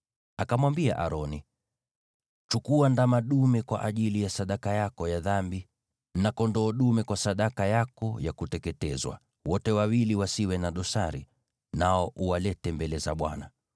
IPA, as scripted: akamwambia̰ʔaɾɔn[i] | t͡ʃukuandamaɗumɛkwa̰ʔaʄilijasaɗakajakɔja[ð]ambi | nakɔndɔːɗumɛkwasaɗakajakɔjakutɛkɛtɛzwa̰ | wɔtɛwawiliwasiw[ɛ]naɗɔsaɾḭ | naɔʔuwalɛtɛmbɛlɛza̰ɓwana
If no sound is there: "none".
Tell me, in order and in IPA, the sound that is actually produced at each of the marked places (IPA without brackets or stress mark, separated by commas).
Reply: i, ð, ɛ